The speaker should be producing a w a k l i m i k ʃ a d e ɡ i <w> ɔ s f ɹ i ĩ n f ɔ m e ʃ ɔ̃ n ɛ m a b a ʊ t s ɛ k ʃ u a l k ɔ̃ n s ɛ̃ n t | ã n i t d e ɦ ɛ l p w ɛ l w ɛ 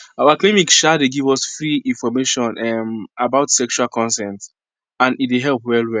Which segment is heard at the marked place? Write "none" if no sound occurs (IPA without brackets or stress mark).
v